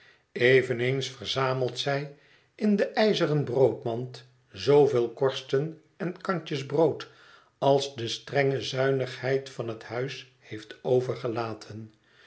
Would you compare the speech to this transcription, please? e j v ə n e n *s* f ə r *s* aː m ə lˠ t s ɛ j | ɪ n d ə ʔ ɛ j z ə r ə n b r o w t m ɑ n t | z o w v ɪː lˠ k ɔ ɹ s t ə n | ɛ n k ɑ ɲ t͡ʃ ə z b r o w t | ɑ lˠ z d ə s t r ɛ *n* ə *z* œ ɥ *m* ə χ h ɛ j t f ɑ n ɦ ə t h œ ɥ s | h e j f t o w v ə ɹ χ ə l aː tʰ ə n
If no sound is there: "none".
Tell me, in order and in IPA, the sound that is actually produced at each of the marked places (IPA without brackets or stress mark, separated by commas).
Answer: s, z, ŋ, z, n